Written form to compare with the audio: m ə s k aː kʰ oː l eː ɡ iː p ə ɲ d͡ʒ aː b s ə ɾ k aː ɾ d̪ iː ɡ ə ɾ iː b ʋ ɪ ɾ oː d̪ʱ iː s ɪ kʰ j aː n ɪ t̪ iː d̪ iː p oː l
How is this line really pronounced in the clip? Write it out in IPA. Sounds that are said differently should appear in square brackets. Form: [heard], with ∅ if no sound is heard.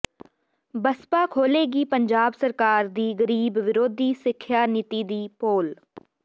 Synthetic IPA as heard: [b] ə s [p] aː kʰ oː l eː ɡ iː p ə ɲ d͡ʒ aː b s ə ɾ k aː ɾ d̪ iː ɡ ə ɾ iː b ʋ ɪ ɾ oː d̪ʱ iː s ɪ kʰ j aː n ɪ t̪ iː d̪ iː p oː l